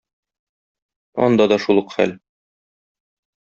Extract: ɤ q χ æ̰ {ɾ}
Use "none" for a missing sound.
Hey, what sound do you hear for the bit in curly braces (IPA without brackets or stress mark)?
l